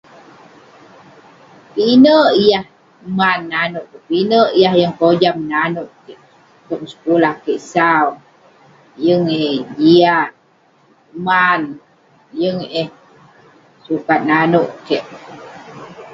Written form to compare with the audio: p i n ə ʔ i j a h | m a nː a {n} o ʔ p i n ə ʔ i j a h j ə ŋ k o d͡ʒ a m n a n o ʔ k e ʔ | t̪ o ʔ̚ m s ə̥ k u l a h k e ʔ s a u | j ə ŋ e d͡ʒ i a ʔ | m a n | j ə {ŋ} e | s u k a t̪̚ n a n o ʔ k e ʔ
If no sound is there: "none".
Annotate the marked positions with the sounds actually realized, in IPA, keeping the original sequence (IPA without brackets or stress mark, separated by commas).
n, ŋ